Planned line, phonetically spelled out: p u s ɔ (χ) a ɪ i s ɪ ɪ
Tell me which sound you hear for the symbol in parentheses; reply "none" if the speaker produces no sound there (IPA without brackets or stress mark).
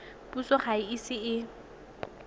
χ